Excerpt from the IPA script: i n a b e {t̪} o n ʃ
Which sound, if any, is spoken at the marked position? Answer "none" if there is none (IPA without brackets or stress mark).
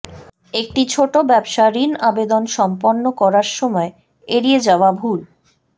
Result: d̪